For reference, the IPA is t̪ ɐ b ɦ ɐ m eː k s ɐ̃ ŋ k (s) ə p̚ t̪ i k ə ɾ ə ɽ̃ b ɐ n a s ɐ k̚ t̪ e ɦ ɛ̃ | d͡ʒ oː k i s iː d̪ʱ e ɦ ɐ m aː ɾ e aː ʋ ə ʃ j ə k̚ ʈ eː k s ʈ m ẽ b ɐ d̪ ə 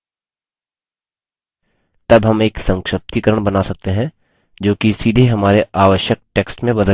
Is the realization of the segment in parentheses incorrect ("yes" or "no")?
yes